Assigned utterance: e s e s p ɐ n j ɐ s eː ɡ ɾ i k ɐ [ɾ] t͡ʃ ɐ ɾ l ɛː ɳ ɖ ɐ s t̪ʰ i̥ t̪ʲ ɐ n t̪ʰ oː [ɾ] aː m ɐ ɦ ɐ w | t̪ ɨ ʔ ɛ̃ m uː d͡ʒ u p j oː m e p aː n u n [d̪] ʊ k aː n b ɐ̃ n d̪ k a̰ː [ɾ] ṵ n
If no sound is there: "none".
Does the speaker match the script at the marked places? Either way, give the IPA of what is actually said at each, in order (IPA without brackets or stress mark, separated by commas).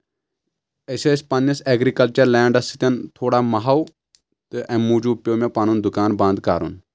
l, ɽ, d̪, ɾ